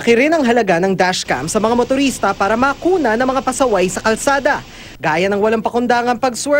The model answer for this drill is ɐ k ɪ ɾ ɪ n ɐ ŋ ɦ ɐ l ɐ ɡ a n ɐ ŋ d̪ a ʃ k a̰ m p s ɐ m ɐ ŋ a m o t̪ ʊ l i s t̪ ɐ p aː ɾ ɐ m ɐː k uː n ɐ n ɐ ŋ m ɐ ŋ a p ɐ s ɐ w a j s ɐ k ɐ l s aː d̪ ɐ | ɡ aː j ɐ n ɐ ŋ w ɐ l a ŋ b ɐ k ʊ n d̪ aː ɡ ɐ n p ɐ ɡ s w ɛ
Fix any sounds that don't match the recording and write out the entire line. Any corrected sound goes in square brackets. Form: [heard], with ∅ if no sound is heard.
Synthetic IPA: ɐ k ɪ ɾ ɪ n ɐ ŋ ɦ ɐ l ɐ ɡ a n ɐ ŋ d̪ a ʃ k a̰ m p s ɐ m ɐ ŋ a m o t̪ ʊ [ɾ] i s t̪ ɐ p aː ɾ ɐ m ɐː k uː n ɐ n ɐ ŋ m ɐ ŋ a p ɐ s ɐ w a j s ɐ k ɐ l s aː d̪ ɐ | ɡ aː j ɐ n ɐ ŋ w ɐ l a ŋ [p] ɐ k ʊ n d̪ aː [ŋ] ɐ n p ɐ ɡ s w ɛ